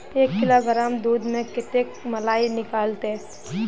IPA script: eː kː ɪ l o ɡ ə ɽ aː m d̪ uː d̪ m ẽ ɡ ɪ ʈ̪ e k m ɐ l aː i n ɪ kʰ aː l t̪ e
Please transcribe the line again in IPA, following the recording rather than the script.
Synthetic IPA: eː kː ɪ l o ɡ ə ɾ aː m d̪ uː d̪ m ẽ k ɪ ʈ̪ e k m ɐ l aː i n ɪ k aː l t̪ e

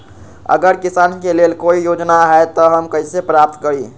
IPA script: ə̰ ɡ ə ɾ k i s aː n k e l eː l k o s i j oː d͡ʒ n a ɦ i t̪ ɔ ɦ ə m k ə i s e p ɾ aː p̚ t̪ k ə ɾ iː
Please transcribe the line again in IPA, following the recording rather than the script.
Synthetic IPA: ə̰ ɡ ə ɾ k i s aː n k e l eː l k o i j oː d͡ʒ n a ɦ ɛ t̪ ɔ ɦ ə m k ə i s e p ɾ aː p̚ t̪ k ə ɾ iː

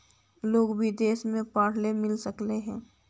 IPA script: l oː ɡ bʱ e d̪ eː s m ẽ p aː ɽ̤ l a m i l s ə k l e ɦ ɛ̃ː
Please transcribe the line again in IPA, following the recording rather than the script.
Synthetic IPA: l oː ɡ bʱ i d̪ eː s m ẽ p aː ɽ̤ l e m ɪ l s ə k l e ɦ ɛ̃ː

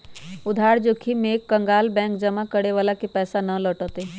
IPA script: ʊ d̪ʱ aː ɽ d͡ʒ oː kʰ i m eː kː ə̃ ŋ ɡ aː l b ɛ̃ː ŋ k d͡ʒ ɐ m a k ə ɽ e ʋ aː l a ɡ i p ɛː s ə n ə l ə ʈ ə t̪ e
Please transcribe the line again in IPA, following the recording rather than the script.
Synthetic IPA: ʊ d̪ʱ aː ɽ d͡ʒ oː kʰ i m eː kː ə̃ ŋ ɡ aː l b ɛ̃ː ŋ k d͡ʒ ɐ m a k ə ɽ e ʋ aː l a k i p ɛː s a n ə l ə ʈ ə t̪ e

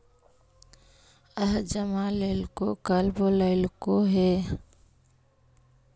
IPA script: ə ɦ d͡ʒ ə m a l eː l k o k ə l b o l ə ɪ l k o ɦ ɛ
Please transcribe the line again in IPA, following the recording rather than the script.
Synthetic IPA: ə ɦ d͡ʒ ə m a l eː l k o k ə l b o l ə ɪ l k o ɦ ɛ

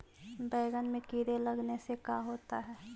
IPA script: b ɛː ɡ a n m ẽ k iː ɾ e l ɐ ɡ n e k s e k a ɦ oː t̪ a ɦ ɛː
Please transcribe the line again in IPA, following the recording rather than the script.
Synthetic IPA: b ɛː ɡ ə n m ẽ k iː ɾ e l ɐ ɡ n e s e k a ɦ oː t̪ a ɦ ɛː

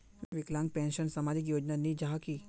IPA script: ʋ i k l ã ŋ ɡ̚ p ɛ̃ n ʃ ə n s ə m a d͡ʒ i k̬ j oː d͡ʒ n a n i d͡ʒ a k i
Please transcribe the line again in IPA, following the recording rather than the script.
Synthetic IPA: ʋ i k l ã ŋ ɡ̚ p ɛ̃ n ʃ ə n s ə m a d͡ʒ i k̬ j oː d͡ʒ n a n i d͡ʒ a k i

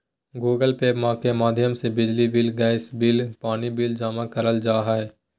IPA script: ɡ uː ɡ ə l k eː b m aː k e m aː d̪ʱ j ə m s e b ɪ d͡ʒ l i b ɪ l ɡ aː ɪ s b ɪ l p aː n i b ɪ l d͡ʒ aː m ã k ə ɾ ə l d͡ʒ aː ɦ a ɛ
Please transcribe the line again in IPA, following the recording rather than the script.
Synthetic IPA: ɡ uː ɡ ə l p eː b m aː k e m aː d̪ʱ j ə m s e b ɪ d͡ʒ l i b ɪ l ɡ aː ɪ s b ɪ l p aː n i b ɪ l d͡ʒ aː m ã k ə ɾ ə l d͡ʒ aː ɦ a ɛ

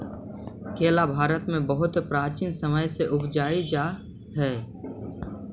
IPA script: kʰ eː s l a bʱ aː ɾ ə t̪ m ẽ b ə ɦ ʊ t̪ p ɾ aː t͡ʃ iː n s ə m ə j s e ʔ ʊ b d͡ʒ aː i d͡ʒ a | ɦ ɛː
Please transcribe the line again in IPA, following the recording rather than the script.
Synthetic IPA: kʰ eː l a bʱ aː ɾ ə t̪ m ẽ b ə ɦ ʊ t̪ p ɾ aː t͡ʃ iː n s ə m ə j s e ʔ ʊ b d͡ʒ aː i d͡ʒ a | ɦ ɛː

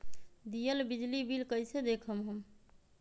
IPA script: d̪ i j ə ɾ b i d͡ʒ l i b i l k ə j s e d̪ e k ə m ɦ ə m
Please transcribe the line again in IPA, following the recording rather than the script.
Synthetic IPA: d̪ i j ə l b i d͡ʒ l i b i l k ə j s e d̪ e kʰ ə m ɦ ə m

